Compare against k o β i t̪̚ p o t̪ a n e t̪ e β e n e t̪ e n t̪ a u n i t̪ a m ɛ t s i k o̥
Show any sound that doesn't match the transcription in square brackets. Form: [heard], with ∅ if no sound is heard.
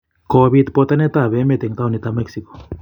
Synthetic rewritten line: k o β i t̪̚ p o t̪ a n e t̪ [a] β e [m] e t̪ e [ŋ] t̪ a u n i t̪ a m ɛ [k] s i k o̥